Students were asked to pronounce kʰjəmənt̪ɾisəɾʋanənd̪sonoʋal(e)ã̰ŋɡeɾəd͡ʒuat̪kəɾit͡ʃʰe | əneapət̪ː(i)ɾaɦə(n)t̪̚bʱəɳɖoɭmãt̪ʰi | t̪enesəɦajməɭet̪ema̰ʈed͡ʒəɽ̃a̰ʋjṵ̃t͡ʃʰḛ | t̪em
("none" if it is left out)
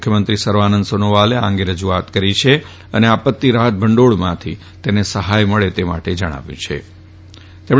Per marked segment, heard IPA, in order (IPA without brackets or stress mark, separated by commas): e, i, none